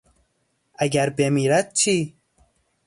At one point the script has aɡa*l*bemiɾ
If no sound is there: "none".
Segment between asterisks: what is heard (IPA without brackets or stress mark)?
ɾ